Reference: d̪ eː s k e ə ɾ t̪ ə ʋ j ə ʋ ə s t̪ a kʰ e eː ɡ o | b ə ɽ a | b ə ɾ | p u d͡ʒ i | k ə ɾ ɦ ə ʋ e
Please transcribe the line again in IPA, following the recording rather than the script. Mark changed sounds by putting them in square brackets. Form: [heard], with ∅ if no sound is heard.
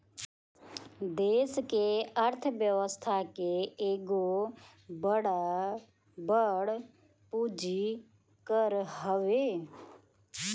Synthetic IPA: d̪ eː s k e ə ɾ [t̪ʰ] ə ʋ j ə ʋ ə s [t̪ʰ] a [k] e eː ɡ o | b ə ɽ a | b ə [ɽ] | p u d͡ʒ i | k ə ɾ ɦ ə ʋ e